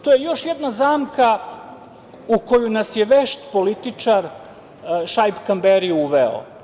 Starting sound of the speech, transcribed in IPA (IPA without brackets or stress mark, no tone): t̪